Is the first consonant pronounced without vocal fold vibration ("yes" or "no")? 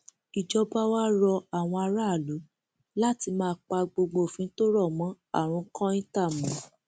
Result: no